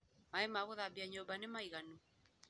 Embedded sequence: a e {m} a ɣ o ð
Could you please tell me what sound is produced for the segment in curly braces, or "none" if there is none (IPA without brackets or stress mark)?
m